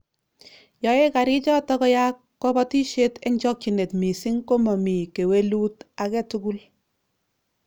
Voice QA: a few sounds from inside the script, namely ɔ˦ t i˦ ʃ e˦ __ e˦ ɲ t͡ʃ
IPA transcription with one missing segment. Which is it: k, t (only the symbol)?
t